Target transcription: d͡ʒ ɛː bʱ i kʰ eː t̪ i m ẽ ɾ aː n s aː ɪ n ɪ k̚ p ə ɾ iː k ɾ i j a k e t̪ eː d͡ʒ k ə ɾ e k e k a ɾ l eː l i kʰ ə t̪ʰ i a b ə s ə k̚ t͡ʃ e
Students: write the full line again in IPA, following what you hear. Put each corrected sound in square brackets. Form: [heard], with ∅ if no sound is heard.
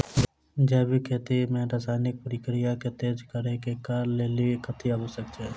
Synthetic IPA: d͡ʒ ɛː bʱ i kʰ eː t̪ i m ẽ ɾ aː [∅] s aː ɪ n ɪ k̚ p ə ɾ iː k ɾ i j a k e t̪ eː d͡ʒ k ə ɾ e k e k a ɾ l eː l i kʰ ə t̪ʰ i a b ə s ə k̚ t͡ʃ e